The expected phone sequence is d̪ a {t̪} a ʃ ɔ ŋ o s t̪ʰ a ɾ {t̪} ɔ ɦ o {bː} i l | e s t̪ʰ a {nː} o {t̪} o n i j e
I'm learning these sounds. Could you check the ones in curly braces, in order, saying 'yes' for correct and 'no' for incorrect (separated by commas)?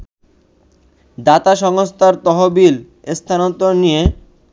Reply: yes, yes, no, no, yes